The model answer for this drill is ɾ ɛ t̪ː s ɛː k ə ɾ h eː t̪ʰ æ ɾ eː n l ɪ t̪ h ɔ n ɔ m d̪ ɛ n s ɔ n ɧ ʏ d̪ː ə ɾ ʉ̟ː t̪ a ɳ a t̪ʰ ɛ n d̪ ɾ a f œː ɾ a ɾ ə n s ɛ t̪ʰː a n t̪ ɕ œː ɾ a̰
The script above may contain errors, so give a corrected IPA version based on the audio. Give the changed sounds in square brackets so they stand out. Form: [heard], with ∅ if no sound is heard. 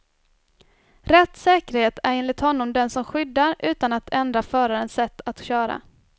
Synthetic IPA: ɾ ɛ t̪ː s ɛː k ə ɾ h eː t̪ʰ æ ɾ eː n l ɪ t̪ h ɔ [nː] ɔ m d̪ ɛ n s ɔ [m] ɧ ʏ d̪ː [a] ɾ ʉ̟ː t̪ a [n] a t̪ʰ ɛ n d̪ ɾ a f œː ɾ a ɾ ə n s ɛ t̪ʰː a [∅] t̪ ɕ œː ɾ a̰